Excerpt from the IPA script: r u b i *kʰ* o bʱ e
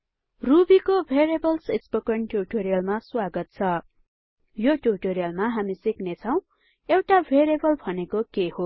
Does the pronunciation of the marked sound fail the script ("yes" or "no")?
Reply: yes